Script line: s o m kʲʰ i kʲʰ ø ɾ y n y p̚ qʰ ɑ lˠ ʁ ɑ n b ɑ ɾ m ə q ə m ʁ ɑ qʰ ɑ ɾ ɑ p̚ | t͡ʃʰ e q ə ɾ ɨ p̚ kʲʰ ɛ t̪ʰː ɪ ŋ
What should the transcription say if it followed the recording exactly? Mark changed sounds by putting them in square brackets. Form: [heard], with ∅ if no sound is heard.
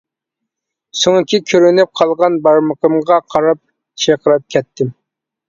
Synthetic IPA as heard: s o [ŋ] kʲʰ i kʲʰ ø ɾ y n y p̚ qʰ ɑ lˠ ʁ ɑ n b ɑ ɾ m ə q ə m ʁ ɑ qʰ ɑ ɾ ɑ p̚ | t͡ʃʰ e q ə ɾ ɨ p̚ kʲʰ ɛ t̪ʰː ɪ [m]